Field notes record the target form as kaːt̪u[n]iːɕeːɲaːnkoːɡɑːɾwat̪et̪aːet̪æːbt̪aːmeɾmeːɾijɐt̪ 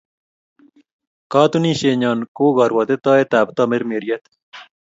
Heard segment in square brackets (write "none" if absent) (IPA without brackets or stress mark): n